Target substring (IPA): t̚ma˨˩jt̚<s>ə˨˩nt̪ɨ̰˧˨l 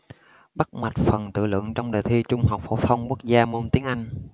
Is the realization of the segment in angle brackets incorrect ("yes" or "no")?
yes